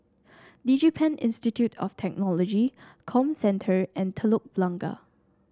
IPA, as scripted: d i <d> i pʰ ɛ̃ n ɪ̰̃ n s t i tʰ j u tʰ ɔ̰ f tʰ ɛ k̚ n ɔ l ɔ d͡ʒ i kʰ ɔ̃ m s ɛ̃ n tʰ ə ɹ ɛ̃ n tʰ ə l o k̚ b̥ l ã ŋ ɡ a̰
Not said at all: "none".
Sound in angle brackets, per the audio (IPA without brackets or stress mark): d͡ʒ